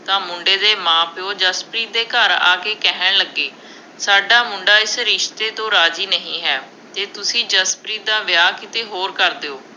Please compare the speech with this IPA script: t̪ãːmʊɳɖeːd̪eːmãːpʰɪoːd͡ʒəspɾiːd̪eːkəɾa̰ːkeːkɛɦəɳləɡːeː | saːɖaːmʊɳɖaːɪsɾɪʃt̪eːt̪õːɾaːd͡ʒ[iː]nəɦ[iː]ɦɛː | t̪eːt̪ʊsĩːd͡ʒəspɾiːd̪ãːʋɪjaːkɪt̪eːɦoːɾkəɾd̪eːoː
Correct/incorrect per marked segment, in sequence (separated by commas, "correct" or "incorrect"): correct, incorrect